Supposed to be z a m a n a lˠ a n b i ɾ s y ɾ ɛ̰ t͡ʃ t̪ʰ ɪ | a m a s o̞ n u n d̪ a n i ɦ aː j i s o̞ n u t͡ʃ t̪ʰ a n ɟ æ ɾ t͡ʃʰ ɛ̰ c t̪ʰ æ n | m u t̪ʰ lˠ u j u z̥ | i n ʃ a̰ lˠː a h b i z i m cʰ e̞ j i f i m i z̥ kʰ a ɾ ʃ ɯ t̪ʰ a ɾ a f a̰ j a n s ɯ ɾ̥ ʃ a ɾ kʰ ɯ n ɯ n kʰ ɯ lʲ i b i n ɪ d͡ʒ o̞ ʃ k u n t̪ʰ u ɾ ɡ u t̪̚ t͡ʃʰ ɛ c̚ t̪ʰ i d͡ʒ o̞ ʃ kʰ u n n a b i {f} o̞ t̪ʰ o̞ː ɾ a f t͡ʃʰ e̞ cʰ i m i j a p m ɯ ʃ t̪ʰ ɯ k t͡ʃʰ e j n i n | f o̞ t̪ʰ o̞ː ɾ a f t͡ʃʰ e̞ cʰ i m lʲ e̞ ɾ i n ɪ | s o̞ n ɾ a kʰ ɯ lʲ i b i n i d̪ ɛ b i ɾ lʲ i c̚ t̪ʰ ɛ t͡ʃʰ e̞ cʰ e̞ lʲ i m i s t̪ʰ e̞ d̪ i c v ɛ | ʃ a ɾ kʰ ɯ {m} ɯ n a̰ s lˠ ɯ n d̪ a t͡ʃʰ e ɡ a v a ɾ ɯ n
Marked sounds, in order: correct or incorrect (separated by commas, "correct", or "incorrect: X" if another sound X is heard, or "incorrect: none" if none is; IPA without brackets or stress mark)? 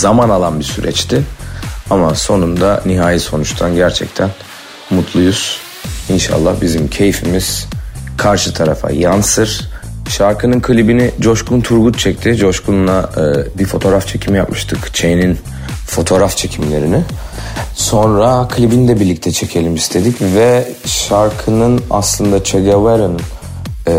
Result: correct, incorrect: n